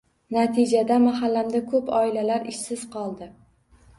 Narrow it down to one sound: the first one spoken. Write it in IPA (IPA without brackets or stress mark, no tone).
n